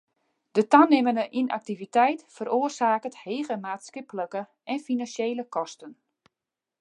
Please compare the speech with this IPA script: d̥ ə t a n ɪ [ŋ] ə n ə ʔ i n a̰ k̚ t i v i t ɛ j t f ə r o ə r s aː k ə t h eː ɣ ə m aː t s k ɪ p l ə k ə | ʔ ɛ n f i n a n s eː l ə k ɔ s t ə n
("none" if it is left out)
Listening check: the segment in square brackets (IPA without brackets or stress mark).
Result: m